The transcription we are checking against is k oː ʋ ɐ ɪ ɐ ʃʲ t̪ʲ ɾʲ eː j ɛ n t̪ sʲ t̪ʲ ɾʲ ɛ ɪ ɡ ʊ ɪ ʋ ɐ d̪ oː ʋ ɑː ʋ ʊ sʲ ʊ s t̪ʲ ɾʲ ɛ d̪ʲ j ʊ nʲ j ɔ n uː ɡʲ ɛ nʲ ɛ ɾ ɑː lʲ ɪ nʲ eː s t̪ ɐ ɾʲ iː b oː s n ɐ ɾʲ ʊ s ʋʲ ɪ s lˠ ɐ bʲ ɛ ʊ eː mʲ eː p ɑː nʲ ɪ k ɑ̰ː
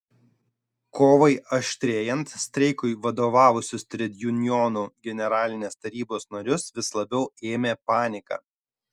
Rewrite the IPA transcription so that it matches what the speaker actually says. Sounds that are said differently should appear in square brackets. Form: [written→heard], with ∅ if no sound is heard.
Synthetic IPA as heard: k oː ʋ ɐ ɪ ɐ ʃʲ t̪ʲ ɾʲ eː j ɛ n t̪ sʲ t̪ʲ ɾʲ ɛ ɪ [ɡ→k] ʊ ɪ ʋ ɐ d̪ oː ʋ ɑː ʋ ʊ sʲ ʊ s t̪ʲ ɾʲ ɛ d̪ʲ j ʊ nʲ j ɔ n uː ɡʲ ɛ nʲ ɛ ɾ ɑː lʲ ɪ nʲ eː s t̪ ɐ ɾʲ iː b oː s n ɐ ɾʲ ʊ s ʋʲ ɪ s lˠ ɐ bʲ ɛ ʊ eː mʲ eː p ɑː nʲ ɪ k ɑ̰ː

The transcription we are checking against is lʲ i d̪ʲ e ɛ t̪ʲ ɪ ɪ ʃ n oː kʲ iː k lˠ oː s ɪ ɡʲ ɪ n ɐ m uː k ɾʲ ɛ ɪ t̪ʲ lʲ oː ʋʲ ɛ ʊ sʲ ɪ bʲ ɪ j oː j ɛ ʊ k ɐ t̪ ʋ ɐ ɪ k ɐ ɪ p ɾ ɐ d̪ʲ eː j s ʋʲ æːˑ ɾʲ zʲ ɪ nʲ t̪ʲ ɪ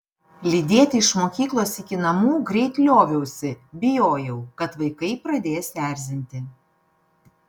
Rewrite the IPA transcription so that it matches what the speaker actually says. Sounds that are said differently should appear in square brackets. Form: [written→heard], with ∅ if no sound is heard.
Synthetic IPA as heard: lʲ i d̪ʲ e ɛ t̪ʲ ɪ ɪ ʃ [n→m] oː kʲ iː k lˠ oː s ɪ [ɡʲ→kʲ] ɪ n ɐ m uː [k→ɡ] ɾʲ ɛ ɪ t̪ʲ lʲ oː ʋʲ ɛ ʊ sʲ ɪ bʲ ɪ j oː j ɛ ʊ k ɐ t̪ ʋ ɐ ɪ k ɐ ɪ p ɾ ɐ d̪ʲ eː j s ʋʲ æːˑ ɾʲ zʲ ɪ nʲ t̪ʲ ɪ

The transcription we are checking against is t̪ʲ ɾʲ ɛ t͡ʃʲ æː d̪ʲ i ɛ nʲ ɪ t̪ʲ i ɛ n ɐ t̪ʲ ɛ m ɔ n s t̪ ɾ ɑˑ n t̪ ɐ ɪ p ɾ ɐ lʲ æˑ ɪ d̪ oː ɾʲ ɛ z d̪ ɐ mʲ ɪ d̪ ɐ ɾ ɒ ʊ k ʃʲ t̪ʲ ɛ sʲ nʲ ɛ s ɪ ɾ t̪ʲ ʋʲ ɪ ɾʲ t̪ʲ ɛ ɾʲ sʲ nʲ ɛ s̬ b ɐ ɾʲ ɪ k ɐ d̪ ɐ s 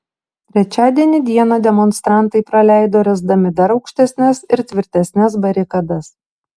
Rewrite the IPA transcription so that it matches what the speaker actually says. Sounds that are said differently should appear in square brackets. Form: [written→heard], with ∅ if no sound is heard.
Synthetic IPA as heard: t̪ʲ ɾʲ ɛ t͡ʃʲ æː d̪ʲ i ɛ nʲ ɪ [t̪ʲ→d̪ʲ] i ɛ n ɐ [t̪ʲ→d̪ʲ] ɛ m ɔ n s t̪ ɾ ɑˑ n t̪ ɐ ɪ p ɾ ɐ lʲ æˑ ɪ d̪ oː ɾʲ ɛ z d̪ ɐ mʲ ɪ d̪ ɐ ɾ ɒ ʊ k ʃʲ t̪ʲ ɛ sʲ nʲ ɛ s ɪ ɾ t̪ʲ ʋʲ ɪ ɾʲ t̪ʲ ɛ [ɾʲ→∅] sʲ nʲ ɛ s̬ b ɐ ɾʲ ɪ k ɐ d̪ ɐ s

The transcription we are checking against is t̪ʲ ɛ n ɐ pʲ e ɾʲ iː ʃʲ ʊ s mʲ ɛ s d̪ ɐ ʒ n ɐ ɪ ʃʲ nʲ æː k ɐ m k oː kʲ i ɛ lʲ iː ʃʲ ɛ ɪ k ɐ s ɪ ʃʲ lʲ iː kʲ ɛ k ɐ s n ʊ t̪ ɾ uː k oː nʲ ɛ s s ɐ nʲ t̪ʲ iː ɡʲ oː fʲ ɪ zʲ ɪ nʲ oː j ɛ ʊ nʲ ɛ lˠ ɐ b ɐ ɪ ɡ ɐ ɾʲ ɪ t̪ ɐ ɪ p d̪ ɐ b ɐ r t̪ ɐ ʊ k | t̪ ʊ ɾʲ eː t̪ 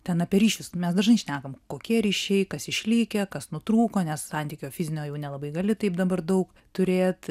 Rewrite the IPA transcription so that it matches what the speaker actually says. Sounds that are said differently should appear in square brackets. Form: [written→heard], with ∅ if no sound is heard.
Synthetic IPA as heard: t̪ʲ ɛ n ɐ pʲ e ɾʲ iː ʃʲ ʊ s mʲ ɛ s d̪ ɐ ʒ n ɐ ɪ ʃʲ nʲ æː k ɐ m k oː kʲ i ɛ [lʲ→ɾʲ] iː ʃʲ ɛ ɪ k ɐ s ɪ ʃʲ lʲ iː kʲ ɛ k ɐ s n ʊ t̪ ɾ uː k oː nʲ ɛ s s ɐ nʲ t̪ʲ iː [ɡʲ→kʲ] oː fʲ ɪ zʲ ɪ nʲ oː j ɛ ʊ nʲ ɛ lˠ ɐ b ɐ ɪ ɡ ɐ [ɾʲ→lʲ] ɪ t̪ ɐ ɪ p d̪ ɐ b ɐ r [t̪→d̪] ɐ ʊ k | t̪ ʊ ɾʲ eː t̪

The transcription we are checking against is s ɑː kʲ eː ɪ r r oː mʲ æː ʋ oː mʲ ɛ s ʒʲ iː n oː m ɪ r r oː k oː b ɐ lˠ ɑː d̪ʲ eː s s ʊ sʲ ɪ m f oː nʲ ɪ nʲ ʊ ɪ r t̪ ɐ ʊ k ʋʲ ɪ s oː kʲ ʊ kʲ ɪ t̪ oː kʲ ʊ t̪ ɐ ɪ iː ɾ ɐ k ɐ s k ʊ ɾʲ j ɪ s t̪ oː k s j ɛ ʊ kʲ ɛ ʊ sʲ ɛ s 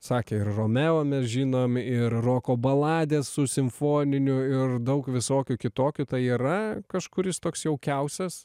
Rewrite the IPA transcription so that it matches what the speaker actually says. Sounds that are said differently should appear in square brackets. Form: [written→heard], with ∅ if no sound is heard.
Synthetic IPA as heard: s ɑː kʲ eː ɪ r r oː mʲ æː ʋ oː mʲ ɛ s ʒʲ iː n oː m ɪ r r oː k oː b ɐ lˠ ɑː d̪ʲ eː s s ʊ sʲ ɪ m f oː nʲ ɪ nʲ ʊ ɪ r [t̪→d̪] ɐ ʊ k ʋʲ ɪ s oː kʲ ʊ kʲ ɪ t̪ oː kʲ ʊ t̪ ɐ ɪ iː ɾ ɐ k ɐ [s→ʃ] k ʊ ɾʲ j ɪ s t̪ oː k s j ɛ ʊ kʲ ɛ ʊ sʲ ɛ s

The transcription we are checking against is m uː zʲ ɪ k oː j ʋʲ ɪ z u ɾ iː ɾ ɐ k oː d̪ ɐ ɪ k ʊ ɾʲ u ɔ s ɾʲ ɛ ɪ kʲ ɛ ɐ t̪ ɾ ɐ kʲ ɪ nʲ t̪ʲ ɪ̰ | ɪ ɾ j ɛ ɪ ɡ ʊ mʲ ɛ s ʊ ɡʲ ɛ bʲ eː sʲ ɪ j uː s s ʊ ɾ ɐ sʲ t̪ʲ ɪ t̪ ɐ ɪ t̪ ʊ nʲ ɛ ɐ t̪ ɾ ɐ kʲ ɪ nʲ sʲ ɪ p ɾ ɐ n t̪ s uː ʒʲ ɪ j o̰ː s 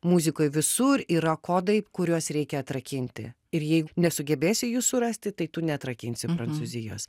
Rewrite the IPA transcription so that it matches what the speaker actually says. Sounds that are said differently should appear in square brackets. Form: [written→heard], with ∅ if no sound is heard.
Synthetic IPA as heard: m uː zʲ ɪ k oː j ʋʲ ɪ [z→s] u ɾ iː ɾ ɐ k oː d̪ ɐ ɪ k ʊ ɾʲ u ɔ s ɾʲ ɛ ɪ kʲ ɛ ɐ t̪ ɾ ɐ kʲ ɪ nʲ t̪ʲ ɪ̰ | ɪ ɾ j ɛ ɪ ɡ ʊ [mʲ→nʲ] ɛ s ʊ ɡʲ ɛ bʲ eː sʲ ɪ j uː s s ʊ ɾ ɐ sʲ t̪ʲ ɪ t̪ ɐ ɪ t̪ ʊ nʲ ɛ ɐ t̪ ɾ ɐ kʲ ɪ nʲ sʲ ɪ p ɾ ɐ n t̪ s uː [ʒʲ→zʲ] ɪ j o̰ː s

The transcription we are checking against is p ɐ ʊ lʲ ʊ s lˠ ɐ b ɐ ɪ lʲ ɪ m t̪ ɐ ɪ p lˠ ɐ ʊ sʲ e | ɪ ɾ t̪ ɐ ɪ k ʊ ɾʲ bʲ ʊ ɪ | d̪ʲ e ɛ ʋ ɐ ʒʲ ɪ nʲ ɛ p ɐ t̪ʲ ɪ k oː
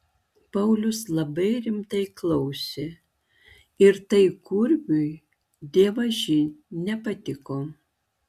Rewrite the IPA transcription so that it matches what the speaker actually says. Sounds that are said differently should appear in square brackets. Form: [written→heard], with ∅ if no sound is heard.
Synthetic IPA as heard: p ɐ ʊ lʲ ʊ s lˠ ɐ b ɐ ɪ [lʲ→ɾʲ] ɪ m t̪ ɐ ɪ [p→k] lˠ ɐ ʊ sʲ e | ɪ ɾ t̪ ɐ ɪ k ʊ ɾʲ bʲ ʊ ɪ | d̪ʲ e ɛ ʋ ɐ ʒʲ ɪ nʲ ɛ p ɐ t̪ʲ ɪ k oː

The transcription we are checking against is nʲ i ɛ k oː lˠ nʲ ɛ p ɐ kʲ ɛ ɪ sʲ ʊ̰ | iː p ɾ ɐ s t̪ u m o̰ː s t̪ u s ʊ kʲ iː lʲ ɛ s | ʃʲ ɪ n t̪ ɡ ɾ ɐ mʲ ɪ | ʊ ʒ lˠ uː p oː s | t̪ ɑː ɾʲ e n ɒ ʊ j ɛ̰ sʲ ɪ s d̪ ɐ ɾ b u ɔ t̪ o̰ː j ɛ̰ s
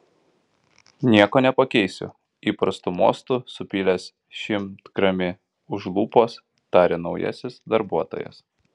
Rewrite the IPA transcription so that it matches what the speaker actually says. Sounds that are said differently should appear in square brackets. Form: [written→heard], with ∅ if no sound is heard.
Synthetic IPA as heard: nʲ i ɛ k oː [lˠ→∅] nʲ ɛ p ɐ kʲ ɛ ɪ sʲ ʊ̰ | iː p ɾ ɐ s t̪ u m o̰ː s t̪ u s ʊ [kʲ→pʲ] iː lʲ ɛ s | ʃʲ ɪ [n→m] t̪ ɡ ɾ ɐ mʲ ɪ | ʊ ʒ lˠ uː p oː s | t̪ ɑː ɾʲ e n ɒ ʊ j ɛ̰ sʲ ɪ s d̪ ɐ ɾ b u ɔ t̪ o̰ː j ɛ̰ s

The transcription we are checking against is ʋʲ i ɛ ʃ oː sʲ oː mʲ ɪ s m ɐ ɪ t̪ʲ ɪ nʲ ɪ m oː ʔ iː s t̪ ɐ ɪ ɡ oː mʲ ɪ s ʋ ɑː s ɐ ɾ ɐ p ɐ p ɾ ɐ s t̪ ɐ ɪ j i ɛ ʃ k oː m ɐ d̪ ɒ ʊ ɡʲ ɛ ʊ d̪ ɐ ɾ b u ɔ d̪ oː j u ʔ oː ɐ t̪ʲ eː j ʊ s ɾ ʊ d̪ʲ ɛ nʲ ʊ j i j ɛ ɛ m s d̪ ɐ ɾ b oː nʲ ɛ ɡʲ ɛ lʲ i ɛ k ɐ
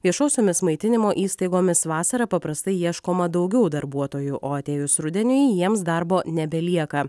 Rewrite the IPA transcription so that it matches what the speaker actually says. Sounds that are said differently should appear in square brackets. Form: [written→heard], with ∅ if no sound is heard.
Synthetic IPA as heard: ʋʲ i ɛ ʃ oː sʲ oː mʲ ɪ s m ɐ ɪ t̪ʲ ɪ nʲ ɪ m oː ʔ iː s t̪ ɐ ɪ ɡ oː mʲ ɪ s ʋ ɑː s ɐ ɾ ɐ p ɐ p ɾ ɐ s t̪ ɐ ɪ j i ɛ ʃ k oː m ɐ d̪ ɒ ʊ ɡʲ ɛ ʊ d̪ ɐ ɾ b u ɔ [d̪→t̪] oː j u ʔ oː ɐ t̪ʲ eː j ʊ s ɾ ʊ d̪ʲ ɛ nʲ ʊ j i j [ɛ→i] ɛ m s d̪ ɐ ɾ b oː nʲ ɛ [ɡʲ→bʲ] ɛ lʲ i ɛ k ɐ

